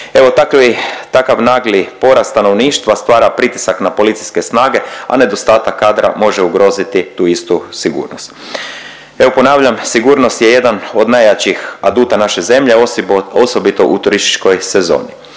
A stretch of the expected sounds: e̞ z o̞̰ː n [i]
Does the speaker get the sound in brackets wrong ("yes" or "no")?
no